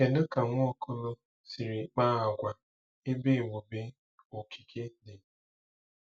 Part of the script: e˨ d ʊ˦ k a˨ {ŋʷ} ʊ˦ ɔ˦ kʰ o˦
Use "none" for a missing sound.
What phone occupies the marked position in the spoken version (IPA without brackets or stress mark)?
ŋʷ